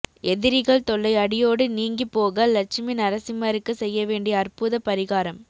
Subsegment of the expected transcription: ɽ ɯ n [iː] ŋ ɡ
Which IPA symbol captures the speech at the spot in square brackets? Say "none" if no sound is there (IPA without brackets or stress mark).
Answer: iː